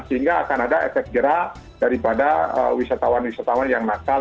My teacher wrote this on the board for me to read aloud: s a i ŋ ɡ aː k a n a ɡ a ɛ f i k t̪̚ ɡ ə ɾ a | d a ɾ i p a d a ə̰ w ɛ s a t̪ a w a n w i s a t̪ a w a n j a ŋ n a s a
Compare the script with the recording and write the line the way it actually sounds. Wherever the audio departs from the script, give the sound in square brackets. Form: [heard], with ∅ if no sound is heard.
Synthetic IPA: s [ə] i ŋ ɡ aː k a n a [d] a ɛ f [ɛ] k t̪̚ ɡ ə ɾ a | d a ɾ i p a d a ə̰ w [i] s a t̪ a w a n w i s a t̪ a w a n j a ŋ n a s a